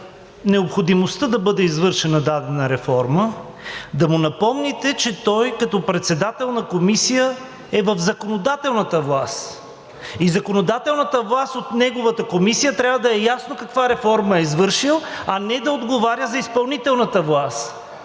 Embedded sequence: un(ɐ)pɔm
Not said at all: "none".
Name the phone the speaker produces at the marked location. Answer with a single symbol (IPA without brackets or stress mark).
ɐ